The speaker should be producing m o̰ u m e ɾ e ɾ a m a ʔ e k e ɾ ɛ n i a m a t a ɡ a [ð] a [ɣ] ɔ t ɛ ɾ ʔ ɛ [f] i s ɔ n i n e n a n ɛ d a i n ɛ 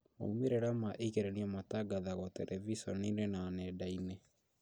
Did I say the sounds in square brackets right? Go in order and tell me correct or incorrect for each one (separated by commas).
correct, correct, incorrect